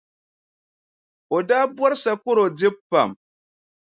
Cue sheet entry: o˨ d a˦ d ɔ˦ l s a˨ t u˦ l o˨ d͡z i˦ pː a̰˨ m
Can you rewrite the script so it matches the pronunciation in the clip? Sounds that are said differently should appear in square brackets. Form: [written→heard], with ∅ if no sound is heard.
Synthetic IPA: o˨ d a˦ [d→b] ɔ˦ [l→ɾ] s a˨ [t→k] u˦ [l→ɾ] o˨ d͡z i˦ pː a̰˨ m